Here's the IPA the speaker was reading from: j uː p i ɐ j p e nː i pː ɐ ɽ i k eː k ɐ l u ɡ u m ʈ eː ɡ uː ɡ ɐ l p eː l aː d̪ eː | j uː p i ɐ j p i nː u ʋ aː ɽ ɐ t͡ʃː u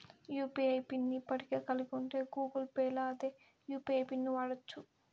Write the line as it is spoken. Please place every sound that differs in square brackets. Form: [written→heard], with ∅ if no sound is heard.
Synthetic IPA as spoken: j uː p i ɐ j p [e→i] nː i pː ɐ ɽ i k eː k ɐ l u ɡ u [m→ɳ] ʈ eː ɡ uː ɡ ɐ l p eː l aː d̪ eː | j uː p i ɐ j p i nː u ʋ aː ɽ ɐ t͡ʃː u